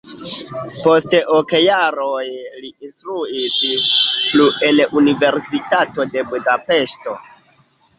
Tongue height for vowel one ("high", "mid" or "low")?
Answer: mid